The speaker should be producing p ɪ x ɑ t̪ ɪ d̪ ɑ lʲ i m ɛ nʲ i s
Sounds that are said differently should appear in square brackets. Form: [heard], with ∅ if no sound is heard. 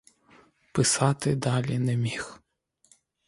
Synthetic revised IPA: p ɪ [s] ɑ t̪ ɪ d̪ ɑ lʲ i [n] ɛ [mʲ] i [x]